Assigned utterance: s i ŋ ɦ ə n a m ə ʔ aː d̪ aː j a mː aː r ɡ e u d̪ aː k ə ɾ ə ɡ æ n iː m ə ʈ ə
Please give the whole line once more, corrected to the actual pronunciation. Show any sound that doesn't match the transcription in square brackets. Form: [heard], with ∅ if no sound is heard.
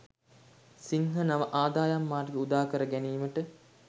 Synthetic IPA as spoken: s i ŋ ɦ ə n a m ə ʔ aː d̪ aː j a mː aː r ɡ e u d̪ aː k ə ɾ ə ɡ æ n iː m ə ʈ ə